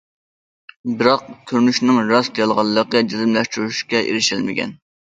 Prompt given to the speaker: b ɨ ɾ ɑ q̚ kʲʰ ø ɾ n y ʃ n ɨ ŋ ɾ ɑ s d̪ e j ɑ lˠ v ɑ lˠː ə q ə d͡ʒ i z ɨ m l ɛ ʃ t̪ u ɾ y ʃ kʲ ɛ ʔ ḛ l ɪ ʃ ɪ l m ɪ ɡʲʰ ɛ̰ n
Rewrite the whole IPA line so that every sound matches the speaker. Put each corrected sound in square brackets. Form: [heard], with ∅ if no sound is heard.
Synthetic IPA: b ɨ ɾ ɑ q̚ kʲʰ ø ɾ n y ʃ n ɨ ŋ ɾ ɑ s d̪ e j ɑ lˠ [ʁ] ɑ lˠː ə q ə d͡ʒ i z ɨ m l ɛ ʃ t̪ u ɾ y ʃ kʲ ɛ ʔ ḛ [ɾ] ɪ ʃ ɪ l m ɪ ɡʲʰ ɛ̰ n